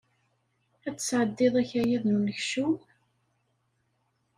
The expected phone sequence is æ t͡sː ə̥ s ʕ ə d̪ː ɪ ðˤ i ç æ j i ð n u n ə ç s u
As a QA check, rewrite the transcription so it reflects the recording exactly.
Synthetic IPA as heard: æ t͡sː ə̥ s ʕ ə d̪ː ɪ ðˤ æ ç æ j æ ð n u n ə ç ʃ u